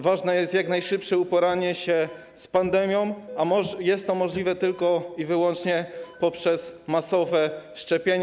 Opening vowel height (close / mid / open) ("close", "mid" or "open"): open